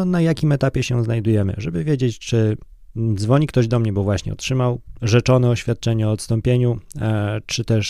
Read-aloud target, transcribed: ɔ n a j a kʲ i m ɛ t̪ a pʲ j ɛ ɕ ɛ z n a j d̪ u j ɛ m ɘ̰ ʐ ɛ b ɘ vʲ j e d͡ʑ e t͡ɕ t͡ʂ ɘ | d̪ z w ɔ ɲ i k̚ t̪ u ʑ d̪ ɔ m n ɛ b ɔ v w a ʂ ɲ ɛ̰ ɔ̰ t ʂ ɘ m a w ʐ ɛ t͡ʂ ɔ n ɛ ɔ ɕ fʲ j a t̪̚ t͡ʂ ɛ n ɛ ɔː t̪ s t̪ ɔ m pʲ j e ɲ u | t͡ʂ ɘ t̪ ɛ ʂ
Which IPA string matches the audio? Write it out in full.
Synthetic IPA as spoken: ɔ n a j a kʲ i m ɛ t̪ a pʲ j ɛ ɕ ɛ z n a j d̪ u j ɛ m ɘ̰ ʐ ɛ b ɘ vʲ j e d͡ʑ e t͡ɕ t͡ʂ ɘ | d̪ z v ɔ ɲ i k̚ t̪ ɔ ʑ d̪ ɔ m ɲ ɛ b ɔ v w a ɕ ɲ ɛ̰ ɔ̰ t ʂ ɘ m a w ʐ ɛ t͡ʂ ɔ n ɛ ɔ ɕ fʲ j a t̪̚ t͡ʂ ɛ ɲ ɛ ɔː t̪ s t̪ ɔ m pʲ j e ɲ u | t͡ʂ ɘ t̪ ɛ ʂ